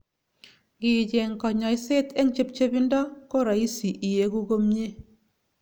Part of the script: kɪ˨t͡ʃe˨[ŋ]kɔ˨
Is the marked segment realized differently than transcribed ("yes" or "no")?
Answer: no